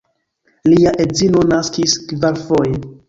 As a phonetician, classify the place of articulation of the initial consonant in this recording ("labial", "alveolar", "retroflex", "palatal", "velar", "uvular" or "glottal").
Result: alveolar